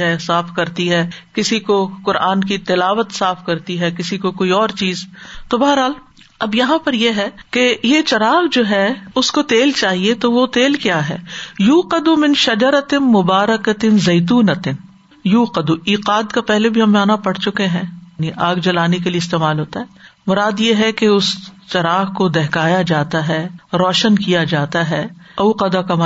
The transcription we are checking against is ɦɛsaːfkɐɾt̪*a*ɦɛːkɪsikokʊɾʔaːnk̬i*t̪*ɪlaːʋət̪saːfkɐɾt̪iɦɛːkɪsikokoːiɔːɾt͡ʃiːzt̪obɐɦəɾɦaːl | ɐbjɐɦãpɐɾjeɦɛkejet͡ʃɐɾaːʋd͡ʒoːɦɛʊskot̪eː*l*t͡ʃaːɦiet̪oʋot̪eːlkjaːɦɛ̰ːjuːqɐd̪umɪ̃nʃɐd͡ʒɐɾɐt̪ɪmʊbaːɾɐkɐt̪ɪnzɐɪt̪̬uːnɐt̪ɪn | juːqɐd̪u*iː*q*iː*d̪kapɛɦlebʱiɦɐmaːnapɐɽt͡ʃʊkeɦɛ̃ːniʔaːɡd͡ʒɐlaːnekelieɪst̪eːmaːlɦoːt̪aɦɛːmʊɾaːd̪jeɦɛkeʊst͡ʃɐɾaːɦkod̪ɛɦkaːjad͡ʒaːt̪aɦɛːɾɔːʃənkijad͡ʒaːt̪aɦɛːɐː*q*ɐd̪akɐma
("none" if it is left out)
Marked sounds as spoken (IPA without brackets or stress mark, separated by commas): i, t̪, l, iː, aː, q